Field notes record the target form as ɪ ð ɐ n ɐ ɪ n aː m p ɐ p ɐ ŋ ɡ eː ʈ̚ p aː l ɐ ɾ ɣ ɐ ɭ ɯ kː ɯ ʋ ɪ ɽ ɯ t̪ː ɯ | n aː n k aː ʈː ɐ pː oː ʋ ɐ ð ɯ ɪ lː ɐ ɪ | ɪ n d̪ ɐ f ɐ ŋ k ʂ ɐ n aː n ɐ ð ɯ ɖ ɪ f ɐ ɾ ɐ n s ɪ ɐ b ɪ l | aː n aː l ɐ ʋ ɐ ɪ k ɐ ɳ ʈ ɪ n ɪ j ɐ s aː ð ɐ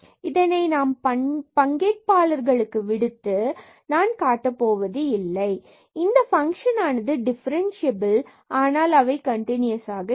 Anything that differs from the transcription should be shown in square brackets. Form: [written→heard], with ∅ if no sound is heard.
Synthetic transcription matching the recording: ɪ ð ɐ n ɐ ɪ n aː m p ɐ p ɐ ŋ ɡ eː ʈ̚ p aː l ɐ ɾ ɣ ɐ ɭ ɯ kː ɯ ʋ ɪ ɽ ɯ t̪ː ɯ | n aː n k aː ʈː ɐ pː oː ʋ ɐ ð ɯ ɪ lː ɐ ɪ | ɪ n d̪ ɐ f ɐ ŋ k ʂ ɐ n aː n ɐ ð ɯ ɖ ɪ f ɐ ɾ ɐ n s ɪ ɐ b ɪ l | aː n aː l ɐ ʋ ɐ ɪ k ɐ ɳ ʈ ɪ n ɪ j ɐ s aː [ð→ɣ] ɐ